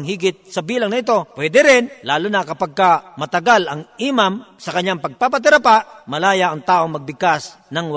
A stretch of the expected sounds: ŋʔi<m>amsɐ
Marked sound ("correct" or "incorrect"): correct